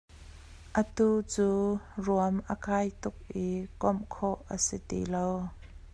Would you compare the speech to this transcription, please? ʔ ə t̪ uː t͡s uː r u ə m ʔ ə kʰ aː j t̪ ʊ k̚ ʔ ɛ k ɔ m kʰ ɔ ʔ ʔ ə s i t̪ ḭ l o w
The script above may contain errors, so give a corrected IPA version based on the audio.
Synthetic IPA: ʔ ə t̪ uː t͡s uː r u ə m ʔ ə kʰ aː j t̪ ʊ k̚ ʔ i k ɔ m kʰ ɔ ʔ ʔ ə s i t̪ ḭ l o w